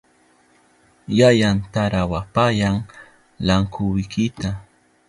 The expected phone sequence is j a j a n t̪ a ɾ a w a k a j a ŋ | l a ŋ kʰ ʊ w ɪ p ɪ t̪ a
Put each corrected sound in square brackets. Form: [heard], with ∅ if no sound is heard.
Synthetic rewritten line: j a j a n t̪ a ɾ a w a [p] a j a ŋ | l a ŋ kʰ ʊ w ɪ [k] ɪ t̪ a